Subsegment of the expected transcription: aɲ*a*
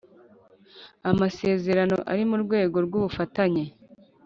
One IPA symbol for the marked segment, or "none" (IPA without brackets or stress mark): e